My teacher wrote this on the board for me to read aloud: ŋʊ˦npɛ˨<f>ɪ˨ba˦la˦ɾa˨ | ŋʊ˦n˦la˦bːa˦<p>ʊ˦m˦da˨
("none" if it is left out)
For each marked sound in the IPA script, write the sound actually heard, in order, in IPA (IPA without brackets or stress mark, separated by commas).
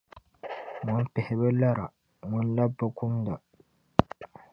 h, k